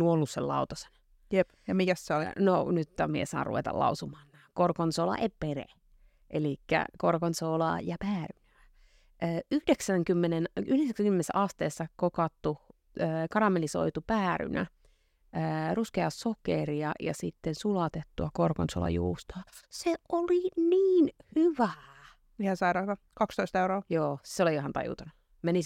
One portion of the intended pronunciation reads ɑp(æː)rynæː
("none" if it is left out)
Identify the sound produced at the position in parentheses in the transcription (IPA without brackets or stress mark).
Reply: æː